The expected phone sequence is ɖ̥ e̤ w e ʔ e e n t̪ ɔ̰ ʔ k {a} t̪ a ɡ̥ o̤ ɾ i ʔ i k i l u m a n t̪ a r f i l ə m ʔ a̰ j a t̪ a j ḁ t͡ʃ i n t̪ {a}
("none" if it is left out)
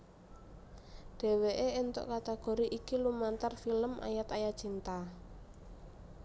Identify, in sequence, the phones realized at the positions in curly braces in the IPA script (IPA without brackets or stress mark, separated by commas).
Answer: a, a